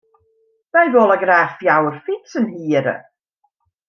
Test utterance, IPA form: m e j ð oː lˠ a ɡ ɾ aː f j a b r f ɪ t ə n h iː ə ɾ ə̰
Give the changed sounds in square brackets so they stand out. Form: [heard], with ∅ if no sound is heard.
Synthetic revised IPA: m [a] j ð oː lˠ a ɡ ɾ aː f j a [w] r f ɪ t ə n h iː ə ɾ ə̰